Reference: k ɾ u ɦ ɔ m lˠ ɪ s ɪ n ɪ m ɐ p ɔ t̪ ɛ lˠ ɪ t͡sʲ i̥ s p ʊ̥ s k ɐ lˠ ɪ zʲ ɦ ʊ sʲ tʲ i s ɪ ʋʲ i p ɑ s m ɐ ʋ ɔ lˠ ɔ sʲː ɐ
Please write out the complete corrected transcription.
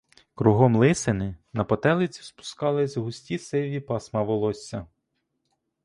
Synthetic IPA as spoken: k ɾ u ɦ ɔ m lˠ ɪ s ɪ n ɪ n ɐ p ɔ t̪ ɛ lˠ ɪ t͡sʲ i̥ s p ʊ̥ s k ɑ lˠ ɪ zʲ ɦ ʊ sʲ tʲ i s ɪ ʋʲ i p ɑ s m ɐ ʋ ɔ lˠ ɔ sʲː ɐ